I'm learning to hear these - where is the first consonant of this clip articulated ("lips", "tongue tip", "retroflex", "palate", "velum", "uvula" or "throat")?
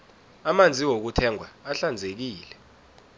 lips